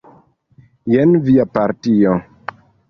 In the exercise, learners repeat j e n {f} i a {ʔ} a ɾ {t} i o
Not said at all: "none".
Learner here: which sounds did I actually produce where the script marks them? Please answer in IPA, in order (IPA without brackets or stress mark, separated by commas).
v, p, t